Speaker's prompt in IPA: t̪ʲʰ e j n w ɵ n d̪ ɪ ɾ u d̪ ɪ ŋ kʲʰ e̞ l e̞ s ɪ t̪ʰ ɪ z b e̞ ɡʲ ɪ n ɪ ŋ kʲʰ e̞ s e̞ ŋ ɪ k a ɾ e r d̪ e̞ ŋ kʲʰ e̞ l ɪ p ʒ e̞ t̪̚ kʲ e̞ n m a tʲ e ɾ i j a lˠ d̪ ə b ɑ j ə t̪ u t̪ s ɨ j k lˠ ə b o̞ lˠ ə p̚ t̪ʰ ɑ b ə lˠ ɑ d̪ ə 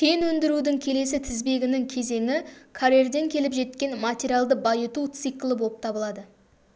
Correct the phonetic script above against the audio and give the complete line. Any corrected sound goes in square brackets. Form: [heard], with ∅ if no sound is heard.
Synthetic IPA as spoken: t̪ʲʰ e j n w ɵ n d̪ ɪ ɾ u d̪ ɪ ŋ kʲʰ e̞ l e̞ s ɪ t̪ʰ ɪ z b e̞ ɡʲ ɪ n ɪ ŋ kʲʰ e̞ [z] e̞ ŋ ɪ [kʰ] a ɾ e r d̪ e̞ ŋ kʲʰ e̞ l ɪ p ʒ e̞ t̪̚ kʲ e̞ n m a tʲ e ɾ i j a lˠ d̪ ə b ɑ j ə t̪ u t̪ s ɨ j k lˠ ə b o̞ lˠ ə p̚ t̪ʰ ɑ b ə lˠ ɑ d̪ ə

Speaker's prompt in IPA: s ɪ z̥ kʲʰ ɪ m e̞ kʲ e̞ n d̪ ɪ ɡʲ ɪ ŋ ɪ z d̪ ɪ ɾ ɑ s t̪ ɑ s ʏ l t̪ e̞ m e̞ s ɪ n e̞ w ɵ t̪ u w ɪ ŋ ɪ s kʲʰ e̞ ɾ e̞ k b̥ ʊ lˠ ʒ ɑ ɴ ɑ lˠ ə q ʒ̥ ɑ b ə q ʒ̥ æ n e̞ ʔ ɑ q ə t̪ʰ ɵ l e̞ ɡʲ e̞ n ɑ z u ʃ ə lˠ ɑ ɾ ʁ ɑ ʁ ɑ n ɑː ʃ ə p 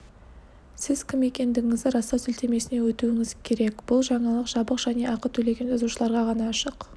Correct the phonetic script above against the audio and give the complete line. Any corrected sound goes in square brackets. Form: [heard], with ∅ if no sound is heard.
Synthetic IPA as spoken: s ɪ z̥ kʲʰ ɪ m e̞ kʲ e̞ n d̪ ɪ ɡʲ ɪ ŋ ɪ z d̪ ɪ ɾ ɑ s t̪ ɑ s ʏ l t̪ e̞ m e̞ s ɪ n e̞ w ɵ t̪ u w ɪ ŋ ɪ [z] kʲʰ e̞ ɾ e̞ k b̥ ʊ lˠ ʒ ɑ ɴ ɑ lˠ ə q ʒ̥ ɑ b ə q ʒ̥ æ n e̞ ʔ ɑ q ə t̪ʰ ɵ l e̞ ɡʲ e̞ n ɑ z u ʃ ə lˠ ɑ ɾ ʁ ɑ ʁ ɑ n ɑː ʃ ə [q]

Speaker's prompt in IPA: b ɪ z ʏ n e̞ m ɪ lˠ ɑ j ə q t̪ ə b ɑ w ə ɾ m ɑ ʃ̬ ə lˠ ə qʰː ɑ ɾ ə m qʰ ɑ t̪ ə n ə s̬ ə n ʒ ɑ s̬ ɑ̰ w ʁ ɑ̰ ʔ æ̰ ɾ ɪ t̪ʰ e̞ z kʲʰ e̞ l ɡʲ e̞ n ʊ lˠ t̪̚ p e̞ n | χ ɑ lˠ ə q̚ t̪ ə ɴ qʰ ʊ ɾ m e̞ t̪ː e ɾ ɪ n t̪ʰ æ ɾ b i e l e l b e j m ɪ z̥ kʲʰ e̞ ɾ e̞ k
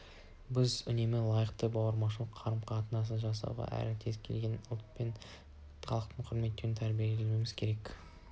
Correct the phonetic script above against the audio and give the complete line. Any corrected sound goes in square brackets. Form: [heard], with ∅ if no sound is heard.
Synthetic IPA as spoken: b ɪ z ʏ n e̞ m ɪ lˠ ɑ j ə q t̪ ə b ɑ w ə ɾ m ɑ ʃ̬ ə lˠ ə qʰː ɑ ɾ ə m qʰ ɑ t̪ ə n [ɑ] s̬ ə n ʒ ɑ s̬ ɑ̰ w ʁ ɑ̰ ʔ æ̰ ɾ ɪ t̪ʰ e̞ z kʲʰ e̞ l ɡʲ e̞ n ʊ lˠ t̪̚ p e̞ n | χ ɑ lˠ ə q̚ t̪ ə ɴ qʰ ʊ ɾ m e̞ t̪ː e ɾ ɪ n t̪ʰ æ ɾ b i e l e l [m] e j m ɪ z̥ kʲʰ e̞ ɾ e̞ k

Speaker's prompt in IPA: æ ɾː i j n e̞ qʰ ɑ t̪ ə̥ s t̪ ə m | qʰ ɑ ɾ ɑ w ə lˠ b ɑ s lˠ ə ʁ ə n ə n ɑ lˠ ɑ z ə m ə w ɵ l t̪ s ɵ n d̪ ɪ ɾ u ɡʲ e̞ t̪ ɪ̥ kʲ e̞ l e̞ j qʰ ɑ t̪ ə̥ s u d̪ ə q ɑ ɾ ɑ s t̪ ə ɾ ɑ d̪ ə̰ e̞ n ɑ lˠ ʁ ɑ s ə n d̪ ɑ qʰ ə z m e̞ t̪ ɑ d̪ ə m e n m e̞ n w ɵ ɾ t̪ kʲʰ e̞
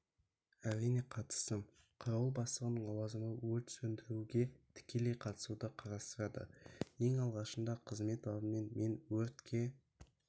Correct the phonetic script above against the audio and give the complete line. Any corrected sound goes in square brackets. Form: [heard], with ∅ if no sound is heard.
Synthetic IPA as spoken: æ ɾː i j n e̞ qʰ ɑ t̪ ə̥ s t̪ ə m | qʰ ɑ ɾ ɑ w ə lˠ b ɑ s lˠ ə ʁ ə n ə [ɴ] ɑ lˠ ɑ z ə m ə w ɵ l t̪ s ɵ n d̪ ɪ ɾ u ɡʲ e̞ [t̪ʰ] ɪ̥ kʲ e̞ l e̞ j qʰ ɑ t̪ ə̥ s u d̪ ə [qʰ] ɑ ɾ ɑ s t̪ ə ɾ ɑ d̪ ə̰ e̞ [ŋ] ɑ lˠ ʁ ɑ [ʃ] ə n d̪ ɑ qʰ ə z m e̞ t̪ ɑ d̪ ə m e n m e̞ n w ɵ ɾ t̪ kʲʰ e̞

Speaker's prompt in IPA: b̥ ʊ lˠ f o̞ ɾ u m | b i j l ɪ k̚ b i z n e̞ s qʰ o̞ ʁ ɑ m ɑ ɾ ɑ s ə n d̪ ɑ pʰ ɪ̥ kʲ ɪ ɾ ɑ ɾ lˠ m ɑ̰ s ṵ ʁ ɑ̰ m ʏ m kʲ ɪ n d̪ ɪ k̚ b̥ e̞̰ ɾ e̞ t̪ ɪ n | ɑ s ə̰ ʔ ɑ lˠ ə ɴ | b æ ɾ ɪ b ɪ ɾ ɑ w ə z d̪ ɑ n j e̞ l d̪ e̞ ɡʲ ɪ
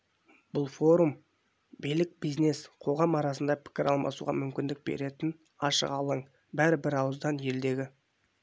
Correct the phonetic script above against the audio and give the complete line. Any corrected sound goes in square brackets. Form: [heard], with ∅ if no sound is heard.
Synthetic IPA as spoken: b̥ ʊ lˠ f o̞ ɾ u m | b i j l ɪ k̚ b i z n e̞ s qʰ o̞ ʁ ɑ m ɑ ɾ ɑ s ə n d̪ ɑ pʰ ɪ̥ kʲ ɪ ɾ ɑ [∅] lˠ m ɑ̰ s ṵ ʁ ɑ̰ m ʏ m kʲ ɪ n d̪ ɪ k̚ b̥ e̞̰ ɾ e̞ t̪ ɪ n | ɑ [ʃ] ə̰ [q] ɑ lˠ ə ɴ | b æ ɾ ɪ b ɪ ɾ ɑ w ə z d̪ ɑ n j e̞ l d̪ e̞ ɡʲ ɪ

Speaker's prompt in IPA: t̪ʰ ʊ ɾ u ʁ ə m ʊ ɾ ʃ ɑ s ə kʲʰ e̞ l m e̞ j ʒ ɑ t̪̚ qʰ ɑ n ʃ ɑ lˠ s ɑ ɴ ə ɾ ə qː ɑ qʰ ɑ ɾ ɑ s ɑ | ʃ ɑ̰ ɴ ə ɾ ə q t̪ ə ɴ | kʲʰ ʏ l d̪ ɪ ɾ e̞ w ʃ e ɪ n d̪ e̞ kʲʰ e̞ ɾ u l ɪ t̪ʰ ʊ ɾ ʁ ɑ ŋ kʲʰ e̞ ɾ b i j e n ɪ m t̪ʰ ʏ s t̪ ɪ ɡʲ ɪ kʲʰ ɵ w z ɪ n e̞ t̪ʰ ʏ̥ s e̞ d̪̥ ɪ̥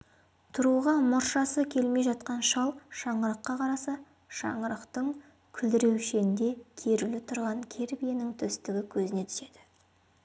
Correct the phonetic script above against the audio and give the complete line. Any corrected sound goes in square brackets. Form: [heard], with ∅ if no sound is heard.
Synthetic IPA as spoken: t̪ʰ ʊ ɾ u ʁ [ɑ] m ʊ ɾ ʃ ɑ s ə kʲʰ e̞ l m e̞ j ʒ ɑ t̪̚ [q] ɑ n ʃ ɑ lˠ [ʃ] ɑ ɴ ə ɾ ə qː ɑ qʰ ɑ ɾ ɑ s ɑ | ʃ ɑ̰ ɴ ə ɾ ə q t̪ ə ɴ | kʲʰ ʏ l d̪ ɪ ɾ e̞ w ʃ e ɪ n d̪ e̞ kʲʰ e̞ ɾ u l ɪ t̪ʰ ʊ ɾ ʁ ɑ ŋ kʲʰ e̞ ɾ b i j e n ɪ [ŋ] t̪ʰ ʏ s t̪ ɪ ɡʲ ɪ kʲʰ ɵ [∅] z ɪ n e̞ t̪ʰ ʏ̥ s e̞ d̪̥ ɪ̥

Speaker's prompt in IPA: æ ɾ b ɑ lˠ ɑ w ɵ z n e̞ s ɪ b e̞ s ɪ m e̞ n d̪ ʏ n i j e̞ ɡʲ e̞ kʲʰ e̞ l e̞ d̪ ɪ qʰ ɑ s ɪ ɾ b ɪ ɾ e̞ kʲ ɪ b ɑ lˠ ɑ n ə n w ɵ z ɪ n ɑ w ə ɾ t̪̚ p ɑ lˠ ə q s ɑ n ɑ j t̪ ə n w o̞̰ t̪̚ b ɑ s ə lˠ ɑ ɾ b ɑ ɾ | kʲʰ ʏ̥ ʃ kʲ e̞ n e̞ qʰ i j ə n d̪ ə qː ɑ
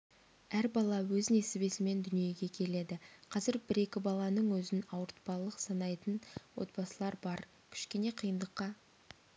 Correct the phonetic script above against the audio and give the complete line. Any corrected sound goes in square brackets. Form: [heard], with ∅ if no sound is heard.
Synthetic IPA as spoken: æ ɾ b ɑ lˠ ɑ w ɵ z n e̞ s ɪ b e̞ s ɪ m e̞ n d̪ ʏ n i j e̞ ɡʲ e̞ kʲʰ e̞ l e̞ d̪ ɪ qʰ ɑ [z] ɪ ɾ b ɪ ɾ e̞ kʲ ɪ b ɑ lˠ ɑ n ə [ɴ] w ɵ z ɪ n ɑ w ə ɾ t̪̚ p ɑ lˠ ə q s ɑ n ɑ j t̪ ə n w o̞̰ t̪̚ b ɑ s ə lˠ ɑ ɾ b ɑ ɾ | kʲʰ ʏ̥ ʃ kʲ e̞ n e̞ qʰ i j ə n d̪ ə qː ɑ

